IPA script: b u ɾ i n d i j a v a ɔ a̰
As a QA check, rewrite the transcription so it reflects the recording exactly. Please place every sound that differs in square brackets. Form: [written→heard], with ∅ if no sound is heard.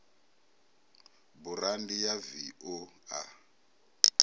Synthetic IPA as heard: b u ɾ [i→a] n d i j a v [a→i] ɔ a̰

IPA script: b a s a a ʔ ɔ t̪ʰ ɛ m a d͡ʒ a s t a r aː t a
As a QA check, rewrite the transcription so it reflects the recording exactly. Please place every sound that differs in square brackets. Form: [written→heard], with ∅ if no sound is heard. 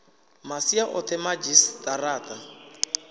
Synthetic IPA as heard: [b→m] a s [a→i] a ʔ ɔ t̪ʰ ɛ m a d͡ʒ [a→i] s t a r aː t a

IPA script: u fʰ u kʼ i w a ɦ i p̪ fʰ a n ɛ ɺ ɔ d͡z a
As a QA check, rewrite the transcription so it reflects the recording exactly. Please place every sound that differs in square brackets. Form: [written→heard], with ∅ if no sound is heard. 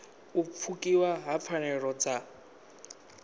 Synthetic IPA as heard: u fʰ u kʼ i w a ɦ [i→a] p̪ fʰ a n ɛ ɺ ɔ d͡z a

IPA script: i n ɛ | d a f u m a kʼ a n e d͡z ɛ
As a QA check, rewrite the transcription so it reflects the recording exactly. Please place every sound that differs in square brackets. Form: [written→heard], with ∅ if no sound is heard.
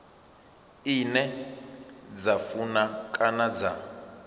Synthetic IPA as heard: i n ɛ | [d→d͡z] a f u [m→n] a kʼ a n [e→a] d͡z [ɛ→a]

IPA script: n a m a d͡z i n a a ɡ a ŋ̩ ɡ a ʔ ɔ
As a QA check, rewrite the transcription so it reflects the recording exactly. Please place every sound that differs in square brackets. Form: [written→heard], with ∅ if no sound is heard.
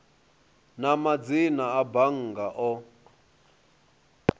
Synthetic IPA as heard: n a m a d͡z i n a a [ɡ→b] a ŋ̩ ɡ a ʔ ɔ

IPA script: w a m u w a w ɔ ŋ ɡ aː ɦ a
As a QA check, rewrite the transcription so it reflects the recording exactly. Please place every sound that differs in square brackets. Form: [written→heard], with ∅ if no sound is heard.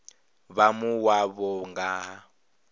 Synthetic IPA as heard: [w→β] a m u w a [w→β] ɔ ŋ ɡ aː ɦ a

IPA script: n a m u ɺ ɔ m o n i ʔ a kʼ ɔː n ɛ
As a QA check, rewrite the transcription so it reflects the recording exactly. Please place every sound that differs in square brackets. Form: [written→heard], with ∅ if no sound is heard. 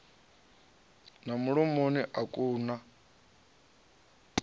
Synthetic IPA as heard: n a m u ɺ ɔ m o n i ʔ a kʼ [ɔː→uː] n [ɛ→a]

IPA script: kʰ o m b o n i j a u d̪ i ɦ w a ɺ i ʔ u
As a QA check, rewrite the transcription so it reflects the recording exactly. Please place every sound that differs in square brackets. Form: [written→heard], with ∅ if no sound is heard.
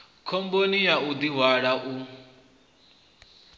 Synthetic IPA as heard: kʰ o m b o n i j a u d̪ i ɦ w a ɺ [i→a] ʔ u

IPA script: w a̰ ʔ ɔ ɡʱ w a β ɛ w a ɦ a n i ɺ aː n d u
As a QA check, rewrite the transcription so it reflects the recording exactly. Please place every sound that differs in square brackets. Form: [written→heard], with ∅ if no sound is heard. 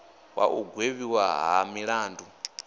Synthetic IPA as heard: w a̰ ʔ [ɔ→u] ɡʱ w [a→e] β [ɛ→i] w a ɦ a [n→m] i ɺ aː n d u

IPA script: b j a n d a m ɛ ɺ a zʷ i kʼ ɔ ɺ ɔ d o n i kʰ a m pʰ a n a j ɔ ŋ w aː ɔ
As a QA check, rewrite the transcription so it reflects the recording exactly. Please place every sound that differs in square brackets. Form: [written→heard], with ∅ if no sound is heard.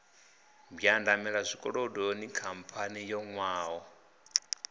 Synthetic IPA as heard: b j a n d a m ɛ ɺ a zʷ i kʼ ɔ ɺ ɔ d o n i kʰ a m pʰ a n [a→i] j ɔ ŋ w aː ɔ

